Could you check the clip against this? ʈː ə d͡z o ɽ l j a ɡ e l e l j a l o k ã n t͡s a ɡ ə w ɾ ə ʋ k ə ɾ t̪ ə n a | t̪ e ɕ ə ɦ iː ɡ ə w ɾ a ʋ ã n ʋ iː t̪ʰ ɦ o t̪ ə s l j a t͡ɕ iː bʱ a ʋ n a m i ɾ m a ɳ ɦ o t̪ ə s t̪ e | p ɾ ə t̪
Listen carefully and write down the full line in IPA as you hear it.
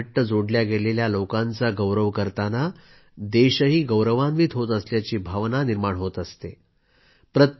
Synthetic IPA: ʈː ə d͡z o ɽ l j a ɡ e l e l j a l o k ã n t͡s a ɡ ə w ɾ ə ʋ k ə ɾ t̪ a n a | d̪ e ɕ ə ɦ iː ɡ ə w ɾ ə ʋ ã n ʋ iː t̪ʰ ɦ o t̪ ə s l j a t͡ɕ iː bʱ a ʋ n a n i ɾ m a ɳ ɦ o t̪ ə s t̪ e | p ɾ ə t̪